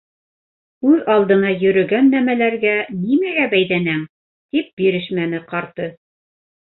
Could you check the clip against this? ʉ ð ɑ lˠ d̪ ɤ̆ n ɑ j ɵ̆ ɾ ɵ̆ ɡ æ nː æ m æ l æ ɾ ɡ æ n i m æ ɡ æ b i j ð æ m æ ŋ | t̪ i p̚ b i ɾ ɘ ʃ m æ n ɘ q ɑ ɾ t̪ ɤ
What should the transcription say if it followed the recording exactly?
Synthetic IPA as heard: ʉ ð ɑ lˠ d̪ ɤ̆ n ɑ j ɵ̆ ɾ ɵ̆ ɡ æ nː æ m æ l æ ɾ ɡ æ n i m æ ɡ æ b æ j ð æ n æ ŋ | t̪ i p̚ b i ɾ ɘ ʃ m æ n ɘ q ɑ ɾ t̪ ɤ